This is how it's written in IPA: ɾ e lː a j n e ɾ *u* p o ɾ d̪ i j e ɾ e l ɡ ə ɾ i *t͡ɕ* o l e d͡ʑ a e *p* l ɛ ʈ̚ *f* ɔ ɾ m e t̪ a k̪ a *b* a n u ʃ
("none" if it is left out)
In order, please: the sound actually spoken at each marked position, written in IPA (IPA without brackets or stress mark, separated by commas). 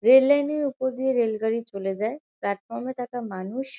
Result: u, t͡ɕ, p, f, m